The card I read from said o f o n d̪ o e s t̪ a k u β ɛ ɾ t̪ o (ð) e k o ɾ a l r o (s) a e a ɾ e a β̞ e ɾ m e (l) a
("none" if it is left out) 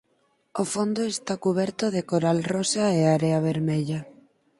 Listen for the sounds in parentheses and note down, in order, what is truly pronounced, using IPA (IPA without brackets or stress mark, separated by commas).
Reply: ð, s, ʎ